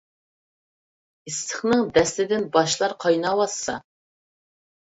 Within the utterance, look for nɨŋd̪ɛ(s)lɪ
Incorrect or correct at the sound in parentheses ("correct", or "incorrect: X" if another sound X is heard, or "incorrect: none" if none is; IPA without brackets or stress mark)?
correct